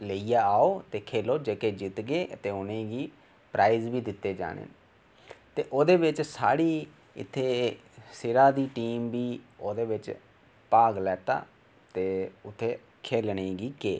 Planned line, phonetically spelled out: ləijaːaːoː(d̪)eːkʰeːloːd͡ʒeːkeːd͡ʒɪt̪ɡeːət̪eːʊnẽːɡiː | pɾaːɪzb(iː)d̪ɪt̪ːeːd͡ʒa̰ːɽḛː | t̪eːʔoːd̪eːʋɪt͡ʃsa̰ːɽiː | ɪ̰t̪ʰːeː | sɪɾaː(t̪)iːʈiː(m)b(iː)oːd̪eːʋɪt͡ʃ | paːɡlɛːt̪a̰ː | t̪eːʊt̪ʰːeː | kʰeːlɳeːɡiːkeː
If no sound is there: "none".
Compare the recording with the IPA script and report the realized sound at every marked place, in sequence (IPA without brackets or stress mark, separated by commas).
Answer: t̪, iː, d̪, m, iː